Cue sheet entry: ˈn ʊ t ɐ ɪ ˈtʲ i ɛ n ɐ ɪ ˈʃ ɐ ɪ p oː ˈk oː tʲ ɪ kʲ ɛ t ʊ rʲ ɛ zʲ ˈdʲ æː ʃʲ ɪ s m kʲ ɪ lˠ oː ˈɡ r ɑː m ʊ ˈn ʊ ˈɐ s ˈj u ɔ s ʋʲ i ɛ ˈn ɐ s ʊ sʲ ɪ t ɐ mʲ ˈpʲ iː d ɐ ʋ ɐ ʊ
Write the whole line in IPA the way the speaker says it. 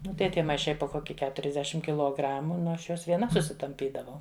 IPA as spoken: ˈn ʊ t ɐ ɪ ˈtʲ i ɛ m ɐ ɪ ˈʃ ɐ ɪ p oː ˈk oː kʲ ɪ kʲ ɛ t ʊ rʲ ɛ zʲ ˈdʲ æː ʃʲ ɪ m kʲ ɪ lˠ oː ˈɡ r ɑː m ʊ ˈn ʊ ˈɐ ʃ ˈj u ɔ s ʋʲ i ɛ ˈn ɐ s ʊ sʲ ɪ t ɐ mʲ ˈpʲ iː d ɐ ʋ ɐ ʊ